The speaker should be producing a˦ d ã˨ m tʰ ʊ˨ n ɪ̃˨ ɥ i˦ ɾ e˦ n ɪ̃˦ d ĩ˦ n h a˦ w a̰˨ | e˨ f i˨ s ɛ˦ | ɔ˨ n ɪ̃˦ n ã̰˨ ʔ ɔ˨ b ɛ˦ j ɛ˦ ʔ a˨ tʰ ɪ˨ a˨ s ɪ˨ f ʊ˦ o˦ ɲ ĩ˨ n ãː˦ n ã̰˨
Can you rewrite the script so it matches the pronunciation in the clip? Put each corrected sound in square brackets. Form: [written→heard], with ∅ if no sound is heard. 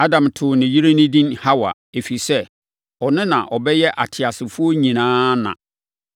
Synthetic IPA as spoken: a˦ d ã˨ m tʰ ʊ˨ n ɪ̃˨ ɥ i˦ ɾ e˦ n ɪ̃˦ d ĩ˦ n h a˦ w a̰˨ | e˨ f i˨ s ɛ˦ | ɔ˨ n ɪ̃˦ n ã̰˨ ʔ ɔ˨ b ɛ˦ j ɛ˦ ʔ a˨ tʰ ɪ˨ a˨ s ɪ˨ f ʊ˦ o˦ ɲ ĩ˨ n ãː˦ n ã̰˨